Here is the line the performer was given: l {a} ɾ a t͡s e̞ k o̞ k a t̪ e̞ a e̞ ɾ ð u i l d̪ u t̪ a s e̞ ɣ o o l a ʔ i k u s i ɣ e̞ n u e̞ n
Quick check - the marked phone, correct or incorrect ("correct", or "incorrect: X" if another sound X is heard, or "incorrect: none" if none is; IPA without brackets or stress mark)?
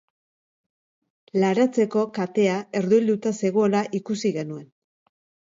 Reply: correct